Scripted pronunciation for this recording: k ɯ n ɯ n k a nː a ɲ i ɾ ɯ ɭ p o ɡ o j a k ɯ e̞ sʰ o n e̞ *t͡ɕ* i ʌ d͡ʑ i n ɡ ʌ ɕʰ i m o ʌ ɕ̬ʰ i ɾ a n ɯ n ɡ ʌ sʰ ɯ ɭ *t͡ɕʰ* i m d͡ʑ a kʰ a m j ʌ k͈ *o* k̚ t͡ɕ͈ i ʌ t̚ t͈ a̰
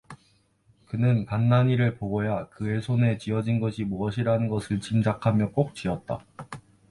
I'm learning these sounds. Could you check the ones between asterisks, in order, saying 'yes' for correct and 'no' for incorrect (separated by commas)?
yes, no, yes